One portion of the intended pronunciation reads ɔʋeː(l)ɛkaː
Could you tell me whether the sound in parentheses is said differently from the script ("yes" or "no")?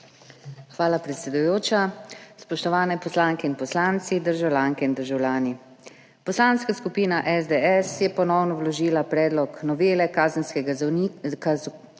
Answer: no